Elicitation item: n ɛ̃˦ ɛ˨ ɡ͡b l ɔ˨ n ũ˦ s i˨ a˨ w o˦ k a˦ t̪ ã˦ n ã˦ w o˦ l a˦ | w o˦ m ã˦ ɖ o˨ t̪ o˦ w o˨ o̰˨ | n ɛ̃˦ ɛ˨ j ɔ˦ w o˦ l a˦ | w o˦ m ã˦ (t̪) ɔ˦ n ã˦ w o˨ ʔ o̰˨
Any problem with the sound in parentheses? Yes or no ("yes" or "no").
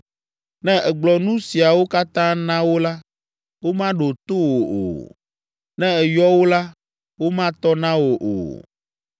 no